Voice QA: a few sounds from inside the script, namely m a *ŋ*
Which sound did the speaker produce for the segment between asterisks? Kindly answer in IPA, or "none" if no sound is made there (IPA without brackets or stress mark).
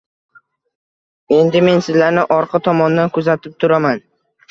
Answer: n